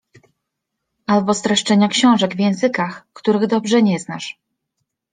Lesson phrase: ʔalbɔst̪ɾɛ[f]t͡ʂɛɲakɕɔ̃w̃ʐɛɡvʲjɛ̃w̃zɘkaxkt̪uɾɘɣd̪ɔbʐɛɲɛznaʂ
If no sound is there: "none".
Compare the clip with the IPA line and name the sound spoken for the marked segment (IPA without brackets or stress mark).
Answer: ʂ